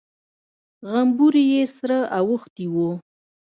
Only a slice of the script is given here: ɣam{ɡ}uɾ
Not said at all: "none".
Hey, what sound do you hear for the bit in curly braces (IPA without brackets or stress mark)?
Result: b